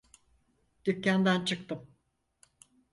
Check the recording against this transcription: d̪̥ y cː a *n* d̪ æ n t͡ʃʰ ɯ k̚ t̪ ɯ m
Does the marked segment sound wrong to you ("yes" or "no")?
no